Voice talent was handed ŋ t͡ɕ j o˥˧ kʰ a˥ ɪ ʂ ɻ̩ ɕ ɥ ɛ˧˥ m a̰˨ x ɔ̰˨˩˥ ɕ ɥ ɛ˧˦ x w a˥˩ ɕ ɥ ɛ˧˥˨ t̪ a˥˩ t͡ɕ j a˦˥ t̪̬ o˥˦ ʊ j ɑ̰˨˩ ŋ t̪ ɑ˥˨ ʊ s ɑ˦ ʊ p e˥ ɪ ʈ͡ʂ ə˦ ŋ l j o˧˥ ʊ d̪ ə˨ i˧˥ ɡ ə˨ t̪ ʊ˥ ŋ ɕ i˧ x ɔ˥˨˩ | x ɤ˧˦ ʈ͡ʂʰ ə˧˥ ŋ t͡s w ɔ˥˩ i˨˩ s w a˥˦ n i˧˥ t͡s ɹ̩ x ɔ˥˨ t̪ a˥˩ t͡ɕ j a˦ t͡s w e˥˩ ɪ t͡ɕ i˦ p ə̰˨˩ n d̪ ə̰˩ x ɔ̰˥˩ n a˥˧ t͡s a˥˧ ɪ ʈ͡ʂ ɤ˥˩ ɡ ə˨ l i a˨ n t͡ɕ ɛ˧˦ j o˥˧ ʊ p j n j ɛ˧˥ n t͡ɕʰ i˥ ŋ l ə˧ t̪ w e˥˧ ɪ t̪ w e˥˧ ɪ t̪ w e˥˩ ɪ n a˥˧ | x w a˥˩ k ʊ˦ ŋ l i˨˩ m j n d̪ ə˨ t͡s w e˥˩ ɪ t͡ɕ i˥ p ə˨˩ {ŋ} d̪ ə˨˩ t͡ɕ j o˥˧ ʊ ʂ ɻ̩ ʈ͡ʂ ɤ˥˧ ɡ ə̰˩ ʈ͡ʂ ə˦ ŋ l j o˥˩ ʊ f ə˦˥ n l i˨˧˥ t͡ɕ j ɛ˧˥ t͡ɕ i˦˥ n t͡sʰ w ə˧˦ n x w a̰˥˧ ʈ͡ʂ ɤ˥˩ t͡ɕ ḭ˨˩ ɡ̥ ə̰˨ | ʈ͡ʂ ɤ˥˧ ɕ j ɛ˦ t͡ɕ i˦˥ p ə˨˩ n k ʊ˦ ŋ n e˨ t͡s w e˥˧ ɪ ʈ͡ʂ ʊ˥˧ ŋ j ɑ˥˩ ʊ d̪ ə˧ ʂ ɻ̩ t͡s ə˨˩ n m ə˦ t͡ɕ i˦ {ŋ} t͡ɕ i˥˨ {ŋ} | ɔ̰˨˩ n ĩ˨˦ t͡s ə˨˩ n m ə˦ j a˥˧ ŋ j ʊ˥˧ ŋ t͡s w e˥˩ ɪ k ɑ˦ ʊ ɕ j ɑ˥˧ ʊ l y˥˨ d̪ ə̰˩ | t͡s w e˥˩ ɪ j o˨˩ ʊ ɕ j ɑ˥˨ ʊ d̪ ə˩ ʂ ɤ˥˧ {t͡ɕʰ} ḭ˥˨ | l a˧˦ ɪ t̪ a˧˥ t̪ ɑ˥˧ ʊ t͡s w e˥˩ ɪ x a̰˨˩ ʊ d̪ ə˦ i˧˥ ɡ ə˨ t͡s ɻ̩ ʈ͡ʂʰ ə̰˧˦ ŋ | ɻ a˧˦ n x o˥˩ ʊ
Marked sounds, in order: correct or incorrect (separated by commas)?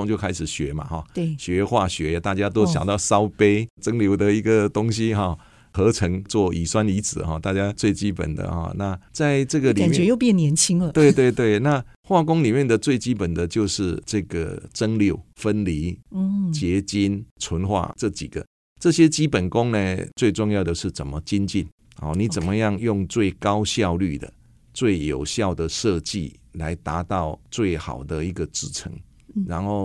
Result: incorrect, incorrect, incorrect, incorrect